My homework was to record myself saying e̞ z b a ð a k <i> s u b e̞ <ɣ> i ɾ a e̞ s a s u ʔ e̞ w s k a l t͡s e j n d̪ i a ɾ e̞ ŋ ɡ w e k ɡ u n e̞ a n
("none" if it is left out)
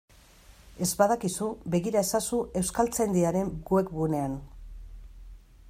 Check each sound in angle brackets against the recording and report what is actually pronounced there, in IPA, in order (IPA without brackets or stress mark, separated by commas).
i, ɣ